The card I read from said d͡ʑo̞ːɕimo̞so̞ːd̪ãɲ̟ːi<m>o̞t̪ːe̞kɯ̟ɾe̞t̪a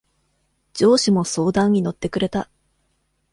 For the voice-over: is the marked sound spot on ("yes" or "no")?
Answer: no